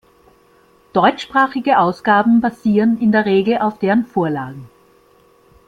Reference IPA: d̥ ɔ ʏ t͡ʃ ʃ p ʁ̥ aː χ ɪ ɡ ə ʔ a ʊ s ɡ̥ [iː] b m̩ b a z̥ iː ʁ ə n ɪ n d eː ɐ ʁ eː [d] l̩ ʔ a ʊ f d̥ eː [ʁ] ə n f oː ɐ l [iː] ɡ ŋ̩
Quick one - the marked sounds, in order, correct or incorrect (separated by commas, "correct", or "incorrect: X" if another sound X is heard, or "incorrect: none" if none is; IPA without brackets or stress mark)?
incorrect: aː, incorrect: ɡ, correct, incorrect: aː